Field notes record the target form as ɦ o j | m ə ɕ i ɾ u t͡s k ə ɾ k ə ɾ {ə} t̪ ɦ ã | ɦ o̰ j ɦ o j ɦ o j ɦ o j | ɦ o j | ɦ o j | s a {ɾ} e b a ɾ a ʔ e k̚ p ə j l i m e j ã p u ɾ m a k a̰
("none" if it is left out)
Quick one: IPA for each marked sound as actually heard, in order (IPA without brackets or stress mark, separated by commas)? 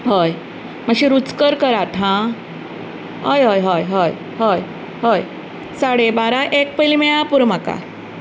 a, ɽ